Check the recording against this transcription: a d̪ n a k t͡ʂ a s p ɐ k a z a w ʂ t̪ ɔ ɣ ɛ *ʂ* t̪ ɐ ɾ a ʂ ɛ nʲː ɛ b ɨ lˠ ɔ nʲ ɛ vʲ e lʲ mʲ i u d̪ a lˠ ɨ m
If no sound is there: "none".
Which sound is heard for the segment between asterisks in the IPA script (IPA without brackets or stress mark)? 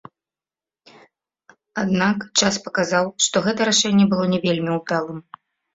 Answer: none